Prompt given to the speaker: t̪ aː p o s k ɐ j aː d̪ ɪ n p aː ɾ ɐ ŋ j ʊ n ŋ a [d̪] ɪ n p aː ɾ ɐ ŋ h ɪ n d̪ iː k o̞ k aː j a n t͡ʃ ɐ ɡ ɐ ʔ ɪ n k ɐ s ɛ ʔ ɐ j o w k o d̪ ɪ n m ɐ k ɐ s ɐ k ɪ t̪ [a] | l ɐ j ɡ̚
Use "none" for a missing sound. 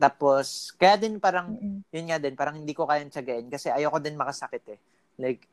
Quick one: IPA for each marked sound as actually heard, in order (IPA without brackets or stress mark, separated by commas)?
d̪, ɛ